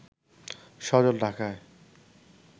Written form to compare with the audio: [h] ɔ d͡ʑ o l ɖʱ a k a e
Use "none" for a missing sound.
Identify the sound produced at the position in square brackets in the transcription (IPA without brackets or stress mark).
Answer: ʃ